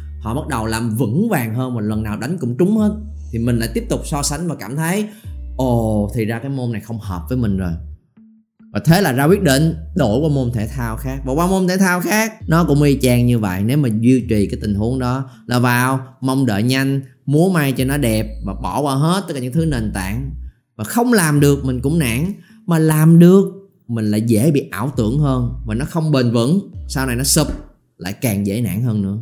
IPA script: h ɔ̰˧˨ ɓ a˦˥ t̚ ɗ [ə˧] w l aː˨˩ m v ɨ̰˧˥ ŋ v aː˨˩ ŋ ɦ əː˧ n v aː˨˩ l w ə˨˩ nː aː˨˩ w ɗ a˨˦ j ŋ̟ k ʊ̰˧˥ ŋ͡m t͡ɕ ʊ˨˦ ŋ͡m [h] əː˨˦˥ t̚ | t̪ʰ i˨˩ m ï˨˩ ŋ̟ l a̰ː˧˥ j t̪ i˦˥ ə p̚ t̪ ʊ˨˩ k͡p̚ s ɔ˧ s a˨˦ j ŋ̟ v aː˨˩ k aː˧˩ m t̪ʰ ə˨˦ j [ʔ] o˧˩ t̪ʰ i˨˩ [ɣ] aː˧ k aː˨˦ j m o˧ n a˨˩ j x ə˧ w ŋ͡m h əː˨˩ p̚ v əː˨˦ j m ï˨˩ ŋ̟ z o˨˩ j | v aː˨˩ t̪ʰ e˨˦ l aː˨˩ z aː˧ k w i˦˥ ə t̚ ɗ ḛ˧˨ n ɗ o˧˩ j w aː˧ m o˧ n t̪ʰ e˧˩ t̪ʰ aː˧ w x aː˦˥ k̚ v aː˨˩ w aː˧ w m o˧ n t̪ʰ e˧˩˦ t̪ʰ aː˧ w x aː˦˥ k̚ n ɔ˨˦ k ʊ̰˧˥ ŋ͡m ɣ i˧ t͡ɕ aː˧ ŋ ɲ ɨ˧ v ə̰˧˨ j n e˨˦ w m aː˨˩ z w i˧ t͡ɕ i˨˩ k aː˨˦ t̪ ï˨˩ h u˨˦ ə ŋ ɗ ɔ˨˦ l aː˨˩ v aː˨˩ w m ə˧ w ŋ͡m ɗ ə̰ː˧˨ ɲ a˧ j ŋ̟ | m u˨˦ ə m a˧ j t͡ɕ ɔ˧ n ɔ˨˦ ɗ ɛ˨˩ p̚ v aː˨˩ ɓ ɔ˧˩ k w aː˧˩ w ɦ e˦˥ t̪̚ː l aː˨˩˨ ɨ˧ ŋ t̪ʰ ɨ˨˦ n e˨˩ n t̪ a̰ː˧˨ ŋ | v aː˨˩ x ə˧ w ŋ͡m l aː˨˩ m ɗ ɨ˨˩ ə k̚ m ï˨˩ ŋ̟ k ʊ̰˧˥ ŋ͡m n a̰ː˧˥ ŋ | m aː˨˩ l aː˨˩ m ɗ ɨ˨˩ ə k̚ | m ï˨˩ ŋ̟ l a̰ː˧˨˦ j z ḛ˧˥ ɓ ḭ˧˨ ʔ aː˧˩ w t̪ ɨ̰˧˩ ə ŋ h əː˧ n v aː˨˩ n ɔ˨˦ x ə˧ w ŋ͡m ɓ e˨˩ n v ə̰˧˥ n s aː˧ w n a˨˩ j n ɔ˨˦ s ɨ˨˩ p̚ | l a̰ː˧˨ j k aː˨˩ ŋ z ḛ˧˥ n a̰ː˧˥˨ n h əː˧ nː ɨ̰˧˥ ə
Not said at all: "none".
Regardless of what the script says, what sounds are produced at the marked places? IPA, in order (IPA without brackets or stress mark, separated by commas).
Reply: ə˨˩, h, ʔ, z